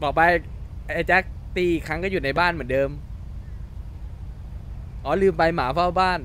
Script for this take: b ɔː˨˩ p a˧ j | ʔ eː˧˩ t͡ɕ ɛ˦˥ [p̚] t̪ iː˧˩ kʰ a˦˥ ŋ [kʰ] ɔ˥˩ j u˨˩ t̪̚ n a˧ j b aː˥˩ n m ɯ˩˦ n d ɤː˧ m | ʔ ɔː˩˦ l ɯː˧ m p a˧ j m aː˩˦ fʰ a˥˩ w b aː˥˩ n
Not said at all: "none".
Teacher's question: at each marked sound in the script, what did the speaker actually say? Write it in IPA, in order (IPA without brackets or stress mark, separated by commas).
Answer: k̚, k